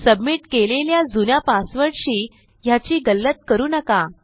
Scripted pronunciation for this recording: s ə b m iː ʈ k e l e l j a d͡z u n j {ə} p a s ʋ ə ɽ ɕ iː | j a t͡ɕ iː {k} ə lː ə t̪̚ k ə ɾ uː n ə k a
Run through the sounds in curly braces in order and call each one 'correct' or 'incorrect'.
incorrect: a, incorrect: ɡ

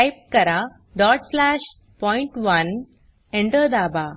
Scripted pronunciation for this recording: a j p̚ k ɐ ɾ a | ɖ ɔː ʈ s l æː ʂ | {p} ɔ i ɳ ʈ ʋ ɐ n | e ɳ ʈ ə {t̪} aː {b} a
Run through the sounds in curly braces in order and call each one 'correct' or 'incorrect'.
correct, incorrect: d̪, correct

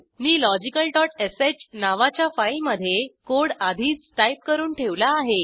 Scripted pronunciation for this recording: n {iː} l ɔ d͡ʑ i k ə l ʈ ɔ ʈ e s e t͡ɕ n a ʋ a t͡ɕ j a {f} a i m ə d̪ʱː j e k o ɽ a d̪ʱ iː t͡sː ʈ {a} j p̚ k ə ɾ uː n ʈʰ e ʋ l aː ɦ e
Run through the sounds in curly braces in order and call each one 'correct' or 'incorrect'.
correct, correct, correct

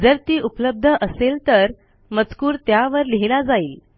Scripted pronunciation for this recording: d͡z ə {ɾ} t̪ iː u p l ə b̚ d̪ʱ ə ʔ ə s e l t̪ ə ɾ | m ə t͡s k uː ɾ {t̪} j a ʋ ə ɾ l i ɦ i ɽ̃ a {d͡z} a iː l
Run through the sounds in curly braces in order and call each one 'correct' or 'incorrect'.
correct, correct, correct

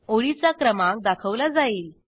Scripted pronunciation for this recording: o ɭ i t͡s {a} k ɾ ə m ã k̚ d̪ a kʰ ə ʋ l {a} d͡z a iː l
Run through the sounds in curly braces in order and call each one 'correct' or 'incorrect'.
correct, correct

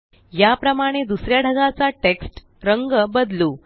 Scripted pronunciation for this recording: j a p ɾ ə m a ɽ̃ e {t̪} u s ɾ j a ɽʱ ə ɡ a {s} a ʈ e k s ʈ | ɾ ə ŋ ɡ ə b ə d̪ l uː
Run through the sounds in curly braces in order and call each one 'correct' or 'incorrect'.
incorrect: d̪, incorrect: t͡s

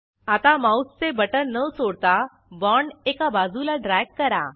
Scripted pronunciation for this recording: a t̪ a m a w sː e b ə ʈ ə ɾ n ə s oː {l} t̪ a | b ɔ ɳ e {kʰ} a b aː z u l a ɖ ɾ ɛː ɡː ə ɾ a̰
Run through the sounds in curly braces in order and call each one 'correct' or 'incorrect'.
incorrect: ɽ, incorrect: k

